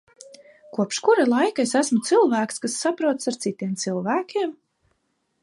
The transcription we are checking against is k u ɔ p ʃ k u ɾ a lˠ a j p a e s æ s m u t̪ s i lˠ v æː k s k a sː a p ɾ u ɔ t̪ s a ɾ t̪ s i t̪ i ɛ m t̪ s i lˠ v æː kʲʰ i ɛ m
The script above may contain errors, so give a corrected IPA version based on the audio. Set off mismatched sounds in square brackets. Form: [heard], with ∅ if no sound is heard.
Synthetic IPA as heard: k u ɔ p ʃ k u ɾ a lˠ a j [k] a e s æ s m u t̪ s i lˠ v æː k s k a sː a p ɾ u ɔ t̪ s a ɾ t̪ s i t̪ i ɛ m t̪ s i lˠ v æː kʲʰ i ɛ m